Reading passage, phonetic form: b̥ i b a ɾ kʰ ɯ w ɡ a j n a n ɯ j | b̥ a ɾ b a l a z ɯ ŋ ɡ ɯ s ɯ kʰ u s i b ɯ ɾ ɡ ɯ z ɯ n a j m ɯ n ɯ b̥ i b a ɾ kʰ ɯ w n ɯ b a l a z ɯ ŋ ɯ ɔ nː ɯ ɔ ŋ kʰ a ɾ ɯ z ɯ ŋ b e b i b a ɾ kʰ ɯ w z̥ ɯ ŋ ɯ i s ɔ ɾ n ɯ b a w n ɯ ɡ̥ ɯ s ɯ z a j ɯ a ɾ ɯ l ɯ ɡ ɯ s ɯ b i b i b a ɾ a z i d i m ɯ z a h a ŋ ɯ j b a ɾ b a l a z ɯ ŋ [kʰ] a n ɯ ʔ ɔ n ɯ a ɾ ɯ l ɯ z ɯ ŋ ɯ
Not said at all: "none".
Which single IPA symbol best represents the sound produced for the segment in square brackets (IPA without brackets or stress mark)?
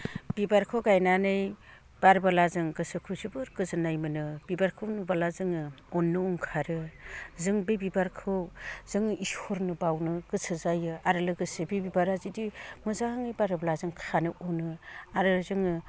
kʰ